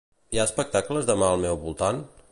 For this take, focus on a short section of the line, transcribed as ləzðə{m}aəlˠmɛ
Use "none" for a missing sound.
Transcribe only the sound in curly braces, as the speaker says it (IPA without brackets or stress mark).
m